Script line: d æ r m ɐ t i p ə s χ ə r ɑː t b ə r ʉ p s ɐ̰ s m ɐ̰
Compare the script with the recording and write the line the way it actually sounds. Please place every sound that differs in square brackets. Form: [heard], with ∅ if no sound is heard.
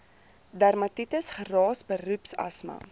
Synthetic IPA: d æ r m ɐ t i [t] ə s χ ə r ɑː [s] b ə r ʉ p s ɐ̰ s m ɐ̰